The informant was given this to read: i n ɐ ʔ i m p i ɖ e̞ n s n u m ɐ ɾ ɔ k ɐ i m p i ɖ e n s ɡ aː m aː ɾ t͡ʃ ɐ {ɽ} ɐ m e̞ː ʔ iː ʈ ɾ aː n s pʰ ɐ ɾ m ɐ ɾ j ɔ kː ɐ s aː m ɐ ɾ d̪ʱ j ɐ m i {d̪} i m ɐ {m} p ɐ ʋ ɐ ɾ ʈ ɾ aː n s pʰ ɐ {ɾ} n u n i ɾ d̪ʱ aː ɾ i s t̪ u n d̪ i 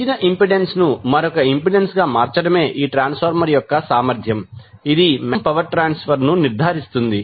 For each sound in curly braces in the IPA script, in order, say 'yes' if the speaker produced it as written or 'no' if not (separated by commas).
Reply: yes, yes, yes, yes